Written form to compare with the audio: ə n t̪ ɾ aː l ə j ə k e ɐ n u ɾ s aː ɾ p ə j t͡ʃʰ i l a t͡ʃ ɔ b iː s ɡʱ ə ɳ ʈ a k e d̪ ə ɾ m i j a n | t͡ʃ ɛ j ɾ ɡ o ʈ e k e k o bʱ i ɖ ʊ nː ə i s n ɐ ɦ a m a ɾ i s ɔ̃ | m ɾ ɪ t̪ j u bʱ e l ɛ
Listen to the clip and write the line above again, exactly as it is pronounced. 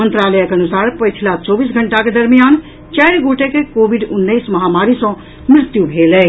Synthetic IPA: ə n t̪ ɾ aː l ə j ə k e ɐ n u s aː ɾ p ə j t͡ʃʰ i l a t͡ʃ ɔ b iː s ɡʱ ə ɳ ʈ a k e d̪ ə ɾ m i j a n | t͡ʃ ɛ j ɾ ɡ o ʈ e k e k o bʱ i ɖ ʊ nː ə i s m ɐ ɦ a m a ɾ i s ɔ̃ | m ɾ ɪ t̪ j u bʱ e l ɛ